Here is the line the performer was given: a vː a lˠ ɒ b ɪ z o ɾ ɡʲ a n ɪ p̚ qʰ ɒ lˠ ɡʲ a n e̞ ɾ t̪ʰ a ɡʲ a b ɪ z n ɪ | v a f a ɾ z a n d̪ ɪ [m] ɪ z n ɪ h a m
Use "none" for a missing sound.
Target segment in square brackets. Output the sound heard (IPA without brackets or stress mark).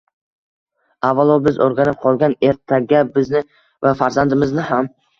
m